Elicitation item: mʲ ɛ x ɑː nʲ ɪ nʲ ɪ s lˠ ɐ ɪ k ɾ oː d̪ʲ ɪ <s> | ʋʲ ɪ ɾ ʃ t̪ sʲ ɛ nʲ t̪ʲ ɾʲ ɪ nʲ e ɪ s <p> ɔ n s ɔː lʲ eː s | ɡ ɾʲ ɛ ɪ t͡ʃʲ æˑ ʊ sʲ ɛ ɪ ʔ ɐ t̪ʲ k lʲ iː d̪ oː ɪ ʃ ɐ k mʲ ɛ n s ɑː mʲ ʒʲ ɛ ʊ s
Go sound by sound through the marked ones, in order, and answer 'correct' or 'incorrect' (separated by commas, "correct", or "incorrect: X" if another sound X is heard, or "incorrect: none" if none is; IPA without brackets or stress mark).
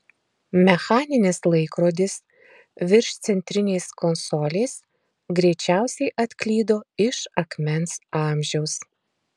correct, incorrect: k